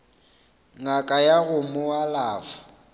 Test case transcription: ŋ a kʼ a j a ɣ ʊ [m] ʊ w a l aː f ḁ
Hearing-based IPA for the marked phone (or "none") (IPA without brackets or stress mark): m